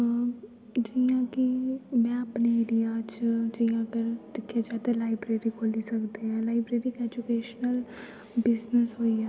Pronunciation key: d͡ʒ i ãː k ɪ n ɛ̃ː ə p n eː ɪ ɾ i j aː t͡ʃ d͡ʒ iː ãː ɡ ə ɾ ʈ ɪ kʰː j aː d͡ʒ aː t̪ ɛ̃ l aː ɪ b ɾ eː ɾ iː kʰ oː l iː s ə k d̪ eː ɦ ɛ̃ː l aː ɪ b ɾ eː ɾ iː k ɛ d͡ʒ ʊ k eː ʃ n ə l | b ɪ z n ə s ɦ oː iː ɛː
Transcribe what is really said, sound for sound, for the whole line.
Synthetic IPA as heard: d͡ʒ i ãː k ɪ m ɛ̃ː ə p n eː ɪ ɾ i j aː t͡ʃ d͡ʒ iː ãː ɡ ə ɾ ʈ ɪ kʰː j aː d͡ʒ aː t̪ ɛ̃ l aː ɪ b ɾ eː ɾ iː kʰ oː l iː s ə k d̪ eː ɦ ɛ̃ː l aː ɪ b ɾ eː ɾ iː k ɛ d͡ʒ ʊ k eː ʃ n ə l | b ɪ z n ə s ɦ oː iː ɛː